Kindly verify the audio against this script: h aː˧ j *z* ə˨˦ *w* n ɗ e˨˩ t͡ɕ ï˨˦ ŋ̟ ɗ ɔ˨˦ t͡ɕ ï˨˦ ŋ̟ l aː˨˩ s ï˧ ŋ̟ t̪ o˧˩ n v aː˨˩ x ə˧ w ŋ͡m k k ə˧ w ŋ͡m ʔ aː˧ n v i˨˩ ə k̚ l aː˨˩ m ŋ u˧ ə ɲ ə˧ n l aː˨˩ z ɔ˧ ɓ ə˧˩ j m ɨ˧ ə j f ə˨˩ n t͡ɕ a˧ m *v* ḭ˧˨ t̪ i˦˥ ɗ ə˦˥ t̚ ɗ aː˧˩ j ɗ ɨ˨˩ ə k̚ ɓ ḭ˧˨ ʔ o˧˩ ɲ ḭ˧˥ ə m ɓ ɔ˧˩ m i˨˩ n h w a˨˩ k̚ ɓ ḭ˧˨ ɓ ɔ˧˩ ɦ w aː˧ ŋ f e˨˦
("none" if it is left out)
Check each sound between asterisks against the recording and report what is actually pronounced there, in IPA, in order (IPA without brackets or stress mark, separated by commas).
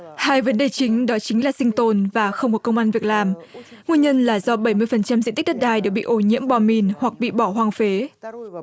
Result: v, none, z